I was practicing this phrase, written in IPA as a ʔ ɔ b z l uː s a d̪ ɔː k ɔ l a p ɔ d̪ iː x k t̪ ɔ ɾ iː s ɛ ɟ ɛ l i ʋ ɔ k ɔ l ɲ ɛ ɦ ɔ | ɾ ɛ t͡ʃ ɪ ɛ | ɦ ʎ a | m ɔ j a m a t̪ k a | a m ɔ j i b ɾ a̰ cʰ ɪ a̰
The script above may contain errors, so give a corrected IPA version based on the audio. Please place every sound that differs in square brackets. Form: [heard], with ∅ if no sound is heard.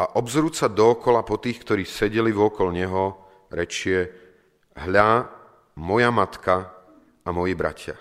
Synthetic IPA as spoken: a ʔ ɔ b z [ɾ] uː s a d̪ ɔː k ɔ l a p ɔ [t̪] iː x k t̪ ɔ ɾ iː s ɛ ɟ ɛ l i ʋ ɔ k ɔ l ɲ ɛ ɦ ɔ | ɾ ɛ t͡ʃ ɪ ɛ | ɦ ʎ a | m ɔ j a m a t̪ k a | a m ɔ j i b ɾ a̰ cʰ ɪ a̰